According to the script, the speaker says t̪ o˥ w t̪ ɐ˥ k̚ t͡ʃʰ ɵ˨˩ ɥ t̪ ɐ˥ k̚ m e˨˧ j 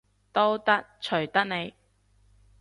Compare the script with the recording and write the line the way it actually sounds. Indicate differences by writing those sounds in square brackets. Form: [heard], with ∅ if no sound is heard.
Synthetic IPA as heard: t̪ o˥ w t̪ ɐ˥ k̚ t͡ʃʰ ɵ˨˩ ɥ t̪ ɐ˥ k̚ [n] e˨˧ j